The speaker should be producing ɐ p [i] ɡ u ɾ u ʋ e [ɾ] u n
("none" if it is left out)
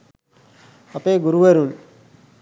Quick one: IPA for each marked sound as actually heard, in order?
e, ɾ

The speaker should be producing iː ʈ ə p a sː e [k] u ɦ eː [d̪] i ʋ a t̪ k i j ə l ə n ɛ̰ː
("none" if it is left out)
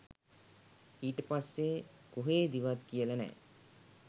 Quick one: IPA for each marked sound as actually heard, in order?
k, d̪

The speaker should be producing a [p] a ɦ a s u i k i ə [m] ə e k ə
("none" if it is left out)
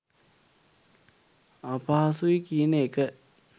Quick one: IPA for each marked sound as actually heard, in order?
p, n

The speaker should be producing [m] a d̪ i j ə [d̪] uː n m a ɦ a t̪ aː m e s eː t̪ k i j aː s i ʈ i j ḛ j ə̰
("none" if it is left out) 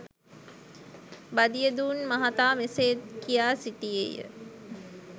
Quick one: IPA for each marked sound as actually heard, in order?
b, d̪

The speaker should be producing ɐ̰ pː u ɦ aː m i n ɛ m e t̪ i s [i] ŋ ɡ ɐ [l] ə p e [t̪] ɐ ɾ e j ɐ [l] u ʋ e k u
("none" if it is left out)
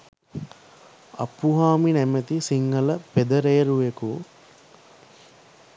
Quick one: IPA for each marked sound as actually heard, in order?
i, l, d̪, ɾ

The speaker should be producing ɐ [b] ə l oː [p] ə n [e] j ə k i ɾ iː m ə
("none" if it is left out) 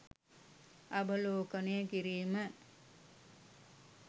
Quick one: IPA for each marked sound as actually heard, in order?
b, k, e

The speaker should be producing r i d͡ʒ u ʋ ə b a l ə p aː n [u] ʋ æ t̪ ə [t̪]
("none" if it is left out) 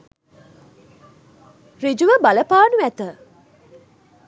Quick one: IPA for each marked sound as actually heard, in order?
u, none

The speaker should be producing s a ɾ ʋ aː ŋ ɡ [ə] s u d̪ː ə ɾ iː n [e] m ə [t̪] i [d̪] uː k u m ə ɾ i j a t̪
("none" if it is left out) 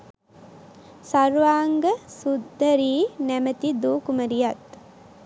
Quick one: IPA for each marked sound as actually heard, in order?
ə, æ, t̪, d̪

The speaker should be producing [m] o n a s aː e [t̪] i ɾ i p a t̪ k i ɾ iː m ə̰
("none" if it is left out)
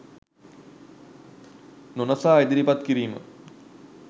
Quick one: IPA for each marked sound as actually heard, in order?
n, d̪

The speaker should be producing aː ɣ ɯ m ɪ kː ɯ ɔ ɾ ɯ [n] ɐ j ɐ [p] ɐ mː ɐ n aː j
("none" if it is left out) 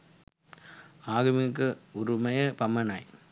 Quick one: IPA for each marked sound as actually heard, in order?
m, p

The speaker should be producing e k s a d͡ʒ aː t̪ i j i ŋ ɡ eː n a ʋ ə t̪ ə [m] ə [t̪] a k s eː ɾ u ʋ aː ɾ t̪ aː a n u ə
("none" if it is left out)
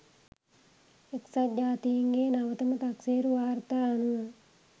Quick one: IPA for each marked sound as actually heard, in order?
m, t̪

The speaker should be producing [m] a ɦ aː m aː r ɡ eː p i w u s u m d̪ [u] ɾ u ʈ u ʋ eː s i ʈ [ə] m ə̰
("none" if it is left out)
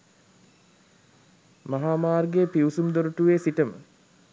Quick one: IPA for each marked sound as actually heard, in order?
m, o, ə

